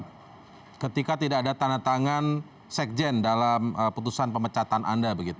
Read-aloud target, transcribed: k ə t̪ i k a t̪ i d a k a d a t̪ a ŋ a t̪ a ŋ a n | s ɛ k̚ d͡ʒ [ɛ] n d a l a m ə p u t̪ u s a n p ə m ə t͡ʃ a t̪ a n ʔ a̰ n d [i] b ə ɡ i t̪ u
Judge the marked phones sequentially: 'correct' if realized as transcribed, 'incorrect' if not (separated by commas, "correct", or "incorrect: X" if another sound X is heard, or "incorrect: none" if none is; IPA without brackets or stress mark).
correct, incorrect: a